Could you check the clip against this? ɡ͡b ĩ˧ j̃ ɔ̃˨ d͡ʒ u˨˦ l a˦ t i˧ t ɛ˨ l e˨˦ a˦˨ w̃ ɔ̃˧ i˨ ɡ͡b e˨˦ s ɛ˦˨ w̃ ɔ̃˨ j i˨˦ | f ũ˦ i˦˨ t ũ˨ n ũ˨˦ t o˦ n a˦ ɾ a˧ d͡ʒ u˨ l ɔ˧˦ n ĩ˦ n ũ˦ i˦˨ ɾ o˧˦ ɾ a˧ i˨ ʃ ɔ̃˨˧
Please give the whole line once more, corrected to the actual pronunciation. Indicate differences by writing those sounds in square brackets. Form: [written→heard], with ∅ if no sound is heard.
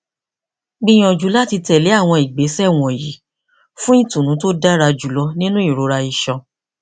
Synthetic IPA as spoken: ɡ͡b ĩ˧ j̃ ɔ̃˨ d͡ʒ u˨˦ l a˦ t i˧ t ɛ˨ l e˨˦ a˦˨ w̃ ɔ̃˧ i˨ ɡ͡b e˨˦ s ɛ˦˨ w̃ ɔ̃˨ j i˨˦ | f ũ˦ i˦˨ t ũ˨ n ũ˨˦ t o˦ [n→d] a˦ ɾ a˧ d͡ʒ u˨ l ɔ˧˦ n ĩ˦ n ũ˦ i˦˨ ɾ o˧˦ ɾ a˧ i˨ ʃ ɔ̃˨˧